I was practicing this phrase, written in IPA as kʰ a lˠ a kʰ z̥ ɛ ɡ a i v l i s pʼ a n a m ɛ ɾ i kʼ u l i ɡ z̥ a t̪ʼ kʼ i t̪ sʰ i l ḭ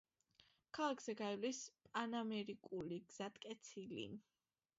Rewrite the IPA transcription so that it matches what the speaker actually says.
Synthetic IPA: kʰ a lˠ a kʰ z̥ ɛ ɡ a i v l i s pʼ a n a m ɛ ɾ i kʼ u l i ɡ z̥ a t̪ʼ kʼ ɛ t̪ sʰ i l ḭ